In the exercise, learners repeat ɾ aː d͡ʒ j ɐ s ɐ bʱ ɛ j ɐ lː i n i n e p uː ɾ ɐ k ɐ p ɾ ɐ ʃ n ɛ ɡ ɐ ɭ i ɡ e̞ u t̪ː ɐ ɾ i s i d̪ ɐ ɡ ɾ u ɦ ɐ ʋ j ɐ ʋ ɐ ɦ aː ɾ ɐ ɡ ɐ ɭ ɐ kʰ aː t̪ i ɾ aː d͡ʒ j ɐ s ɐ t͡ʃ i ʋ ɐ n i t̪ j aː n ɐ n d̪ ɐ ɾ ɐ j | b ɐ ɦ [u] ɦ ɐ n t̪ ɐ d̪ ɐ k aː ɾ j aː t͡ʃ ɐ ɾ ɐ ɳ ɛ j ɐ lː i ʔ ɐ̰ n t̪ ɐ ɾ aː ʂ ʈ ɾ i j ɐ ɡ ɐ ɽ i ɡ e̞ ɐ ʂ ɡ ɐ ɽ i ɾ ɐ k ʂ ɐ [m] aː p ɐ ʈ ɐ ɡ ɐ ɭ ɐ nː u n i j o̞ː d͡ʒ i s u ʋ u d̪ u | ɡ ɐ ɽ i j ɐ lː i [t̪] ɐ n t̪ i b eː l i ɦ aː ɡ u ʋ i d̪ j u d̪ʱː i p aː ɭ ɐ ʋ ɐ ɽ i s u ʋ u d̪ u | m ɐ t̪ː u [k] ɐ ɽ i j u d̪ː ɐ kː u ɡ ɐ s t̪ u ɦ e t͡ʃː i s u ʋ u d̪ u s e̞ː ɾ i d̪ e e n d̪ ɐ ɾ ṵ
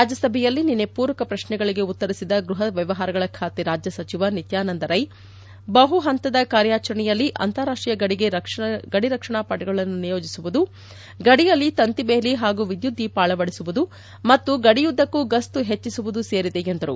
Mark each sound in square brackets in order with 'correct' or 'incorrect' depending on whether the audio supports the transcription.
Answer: correct, incorrect: ɳ, correct, incorrect: ɡ

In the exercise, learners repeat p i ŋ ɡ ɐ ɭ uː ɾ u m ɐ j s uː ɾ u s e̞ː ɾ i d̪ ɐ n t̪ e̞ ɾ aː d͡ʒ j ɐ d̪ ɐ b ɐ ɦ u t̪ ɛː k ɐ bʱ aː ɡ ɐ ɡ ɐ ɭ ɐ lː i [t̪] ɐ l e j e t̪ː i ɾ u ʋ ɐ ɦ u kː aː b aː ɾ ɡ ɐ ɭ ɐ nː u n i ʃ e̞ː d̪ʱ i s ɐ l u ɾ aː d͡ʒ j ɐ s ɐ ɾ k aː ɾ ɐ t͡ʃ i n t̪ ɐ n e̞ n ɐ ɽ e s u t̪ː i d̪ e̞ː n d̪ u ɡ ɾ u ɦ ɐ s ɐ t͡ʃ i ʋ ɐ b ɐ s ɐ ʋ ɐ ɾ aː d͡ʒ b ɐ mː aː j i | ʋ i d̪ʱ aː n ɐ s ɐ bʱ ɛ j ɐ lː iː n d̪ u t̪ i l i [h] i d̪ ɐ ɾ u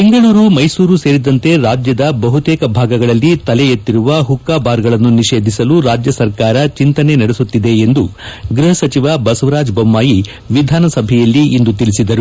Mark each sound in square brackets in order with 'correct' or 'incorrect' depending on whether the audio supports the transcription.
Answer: correct, incorrect: s

